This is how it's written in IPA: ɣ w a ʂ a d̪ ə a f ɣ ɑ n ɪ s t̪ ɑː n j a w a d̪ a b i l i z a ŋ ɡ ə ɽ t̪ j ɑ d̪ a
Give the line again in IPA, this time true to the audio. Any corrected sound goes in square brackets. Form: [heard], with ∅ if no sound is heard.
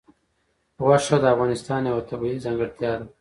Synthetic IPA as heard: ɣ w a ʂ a d̪ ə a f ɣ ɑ n ɪ s t̪ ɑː n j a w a [t̪] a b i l i z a ŋ ɡ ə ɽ t̪ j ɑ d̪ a